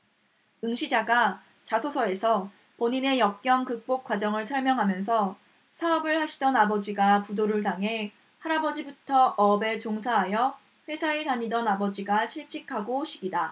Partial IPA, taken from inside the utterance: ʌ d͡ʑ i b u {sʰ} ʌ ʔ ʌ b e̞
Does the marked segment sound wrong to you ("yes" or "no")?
yes